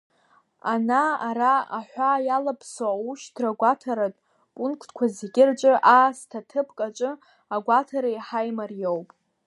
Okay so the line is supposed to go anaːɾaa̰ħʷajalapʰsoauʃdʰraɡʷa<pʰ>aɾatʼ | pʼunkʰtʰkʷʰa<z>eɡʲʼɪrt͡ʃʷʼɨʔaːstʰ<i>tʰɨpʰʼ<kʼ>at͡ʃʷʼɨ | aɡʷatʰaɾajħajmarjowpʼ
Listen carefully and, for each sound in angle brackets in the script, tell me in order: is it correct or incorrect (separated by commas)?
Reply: incorrect, correct, incorrect, correct